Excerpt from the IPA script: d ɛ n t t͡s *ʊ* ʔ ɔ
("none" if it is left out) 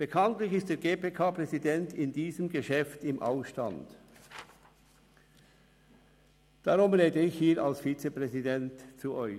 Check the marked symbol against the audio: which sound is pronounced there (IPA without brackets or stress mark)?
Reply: u